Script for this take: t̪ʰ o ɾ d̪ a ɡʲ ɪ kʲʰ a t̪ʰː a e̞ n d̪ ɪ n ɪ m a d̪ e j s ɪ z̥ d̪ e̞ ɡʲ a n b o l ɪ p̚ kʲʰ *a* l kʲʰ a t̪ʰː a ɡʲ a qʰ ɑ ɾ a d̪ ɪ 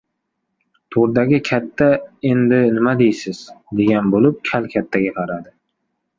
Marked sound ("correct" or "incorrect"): correct